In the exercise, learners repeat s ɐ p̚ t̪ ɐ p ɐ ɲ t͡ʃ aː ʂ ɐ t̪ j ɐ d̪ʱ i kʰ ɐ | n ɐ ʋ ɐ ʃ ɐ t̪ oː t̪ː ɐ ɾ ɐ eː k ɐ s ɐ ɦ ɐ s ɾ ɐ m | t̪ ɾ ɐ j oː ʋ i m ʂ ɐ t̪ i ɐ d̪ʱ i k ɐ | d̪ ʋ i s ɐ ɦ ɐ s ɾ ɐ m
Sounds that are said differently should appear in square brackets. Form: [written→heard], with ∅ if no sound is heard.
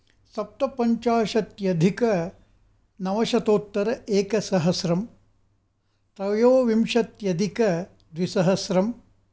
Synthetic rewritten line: s ɐ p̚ t̪ ɐ p ɐ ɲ t͡ʃ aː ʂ ɐ t̪ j ɐ d̪ʱ i [kʰ→k] ɐ | n ɐ ʋ ɐ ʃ ɐ t̪ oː t̪ː ɐ ɾ ɐ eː k ɐ s ɐ ɦ ɐ s ɾ ɐ m | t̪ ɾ ɐ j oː ʋ i m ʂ ɐ t̪ [i→j] ɐ d̪ʱ i k ɐ | d̪ ʋ i s ɐ ɦ ɐ s ɾ ɐ m